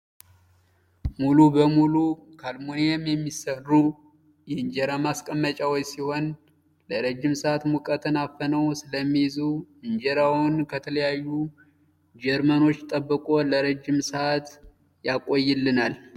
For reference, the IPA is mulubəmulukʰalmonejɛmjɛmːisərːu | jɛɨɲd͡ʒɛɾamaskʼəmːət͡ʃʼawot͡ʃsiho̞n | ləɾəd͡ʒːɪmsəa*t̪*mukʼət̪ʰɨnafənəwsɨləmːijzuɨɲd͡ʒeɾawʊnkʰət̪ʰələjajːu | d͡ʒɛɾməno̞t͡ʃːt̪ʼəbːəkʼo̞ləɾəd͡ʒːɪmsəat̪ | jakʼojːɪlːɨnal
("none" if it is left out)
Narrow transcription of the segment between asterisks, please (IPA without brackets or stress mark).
t̪